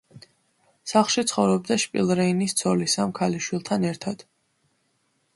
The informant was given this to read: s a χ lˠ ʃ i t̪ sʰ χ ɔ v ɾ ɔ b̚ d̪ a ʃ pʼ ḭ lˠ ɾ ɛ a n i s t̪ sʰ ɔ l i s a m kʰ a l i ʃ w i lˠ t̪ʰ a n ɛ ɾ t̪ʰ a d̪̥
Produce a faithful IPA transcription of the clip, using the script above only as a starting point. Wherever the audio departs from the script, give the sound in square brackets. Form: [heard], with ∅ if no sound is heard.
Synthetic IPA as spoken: s a χ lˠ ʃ i t̪ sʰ χ ɔ v ɾ ɔ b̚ d̪ a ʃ pʼ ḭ lˠ ɾ ɛ [i] n i s t̪ sʰ ɔ l i s a m kʰ a l i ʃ w i lˠ t̪ʰ a n ɛ ɾ t̪ʰ a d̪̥